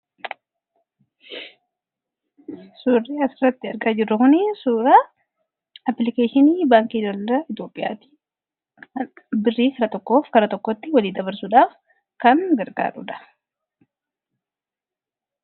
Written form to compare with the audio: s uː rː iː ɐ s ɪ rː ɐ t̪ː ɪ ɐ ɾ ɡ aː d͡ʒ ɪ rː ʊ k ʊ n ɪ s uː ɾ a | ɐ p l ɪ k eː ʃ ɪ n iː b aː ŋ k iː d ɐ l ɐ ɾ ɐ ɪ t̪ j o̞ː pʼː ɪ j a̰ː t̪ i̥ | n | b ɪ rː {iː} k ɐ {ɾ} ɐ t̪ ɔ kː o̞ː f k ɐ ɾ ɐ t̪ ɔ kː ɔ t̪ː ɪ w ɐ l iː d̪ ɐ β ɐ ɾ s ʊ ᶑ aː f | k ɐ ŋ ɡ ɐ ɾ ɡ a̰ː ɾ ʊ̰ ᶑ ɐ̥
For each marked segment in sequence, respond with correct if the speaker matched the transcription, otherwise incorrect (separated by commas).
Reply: correct, correct